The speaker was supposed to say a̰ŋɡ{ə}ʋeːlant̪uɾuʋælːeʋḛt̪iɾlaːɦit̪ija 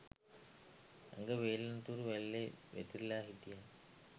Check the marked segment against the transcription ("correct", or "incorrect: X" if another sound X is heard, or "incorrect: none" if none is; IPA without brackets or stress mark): correct